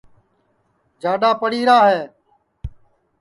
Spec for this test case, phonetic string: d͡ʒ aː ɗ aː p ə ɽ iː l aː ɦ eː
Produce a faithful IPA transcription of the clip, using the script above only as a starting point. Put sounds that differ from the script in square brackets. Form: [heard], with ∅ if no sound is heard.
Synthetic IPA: d͡ʒ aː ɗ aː p ə ɽ iː [ɾ] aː ɦ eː